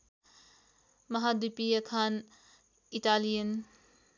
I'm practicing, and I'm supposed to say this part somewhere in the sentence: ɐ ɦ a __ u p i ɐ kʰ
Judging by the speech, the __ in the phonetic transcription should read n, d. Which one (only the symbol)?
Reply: d